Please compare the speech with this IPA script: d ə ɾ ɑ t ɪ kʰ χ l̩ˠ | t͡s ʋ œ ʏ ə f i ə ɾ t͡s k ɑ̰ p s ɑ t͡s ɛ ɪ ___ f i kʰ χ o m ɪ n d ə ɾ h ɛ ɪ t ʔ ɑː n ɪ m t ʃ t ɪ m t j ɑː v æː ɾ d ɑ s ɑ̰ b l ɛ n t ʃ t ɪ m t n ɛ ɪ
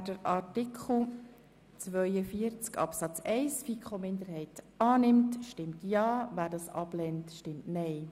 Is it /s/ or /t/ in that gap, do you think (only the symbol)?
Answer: s